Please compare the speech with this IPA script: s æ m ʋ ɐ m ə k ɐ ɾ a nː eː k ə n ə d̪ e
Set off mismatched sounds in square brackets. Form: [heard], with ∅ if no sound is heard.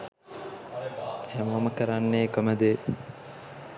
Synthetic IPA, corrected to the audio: [h] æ m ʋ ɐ m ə k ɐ ɾ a nː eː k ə [m] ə d̪ e